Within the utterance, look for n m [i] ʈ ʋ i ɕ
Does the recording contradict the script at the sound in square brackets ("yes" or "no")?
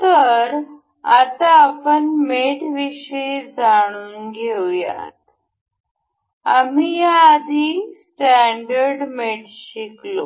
yes